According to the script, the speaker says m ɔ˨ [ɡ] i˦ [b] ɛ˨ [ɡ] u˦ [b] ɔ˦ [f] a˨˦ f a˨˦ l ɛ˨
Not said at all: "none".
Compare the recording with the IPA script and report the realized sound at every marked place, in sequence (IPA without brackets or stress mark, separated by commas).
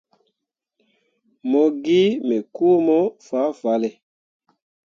ɡ, m, k, m, f